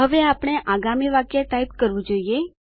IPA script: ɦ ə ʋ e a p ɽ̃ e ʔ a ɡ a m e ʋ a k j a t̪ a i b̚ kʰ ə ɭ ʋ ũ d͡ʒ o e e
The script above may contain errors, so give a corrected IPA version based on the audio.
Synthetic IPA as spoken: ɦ ə ʋ e a p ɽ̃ e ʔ a ɡ a m i ʋ a k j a t̪ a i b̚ k ə ɾ ʋ ũ d͡ʒ o i e